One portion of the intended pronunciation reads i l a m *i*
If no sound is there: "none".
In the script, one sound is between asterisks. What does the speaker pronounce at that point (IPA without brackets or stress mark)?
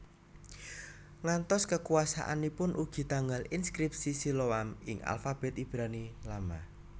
a